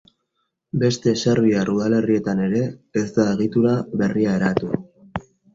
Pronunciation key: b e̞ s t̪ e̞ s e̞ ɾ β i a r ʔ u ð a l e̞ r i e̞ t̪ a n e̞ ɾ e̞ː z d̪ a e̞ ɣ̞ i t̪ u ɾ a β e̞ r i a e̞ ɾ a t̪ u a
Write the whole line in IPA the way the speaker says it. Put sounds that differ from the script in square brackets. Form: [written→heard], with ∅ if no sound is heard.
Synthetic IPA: b e̞ s t̪ e̞ s e̞ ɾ β i a r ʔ u ð a l e̞ r i e̞ t̪ a n e̞ ɾ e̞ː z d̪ a e̞ ɣ̞ i t̪ u ɾ a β e̞ r i a e̞ ɾ a t̪ u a